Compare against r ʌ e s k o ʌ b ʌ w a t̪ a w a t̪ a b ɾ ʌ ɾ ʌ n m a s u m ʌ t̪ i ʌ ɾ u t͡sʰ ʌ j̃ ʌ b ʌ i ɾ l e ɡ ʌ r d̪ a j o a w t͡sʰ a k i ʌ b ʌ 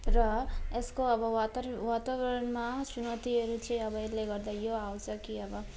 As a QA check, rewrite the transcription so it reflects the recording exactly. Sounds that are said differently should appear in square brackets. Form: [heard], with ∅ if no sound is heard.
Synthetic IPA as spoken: r ʌ e s k o ʌ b ʌ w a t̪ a w a t̪ a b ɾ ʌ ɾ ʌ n m a s u [n] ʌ t̪ i ʌ ɾ u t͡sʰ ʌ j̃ ʌ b ʌ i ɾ l e ɡ ʌ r d̪ a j o a w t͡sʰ [ʌ] k i ʌ b ʌ